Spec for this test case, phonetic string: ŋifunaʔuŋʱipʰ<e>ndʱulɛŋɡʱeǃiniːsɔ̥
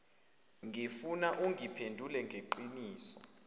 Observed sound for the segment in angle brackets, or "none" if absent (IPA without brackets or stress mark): e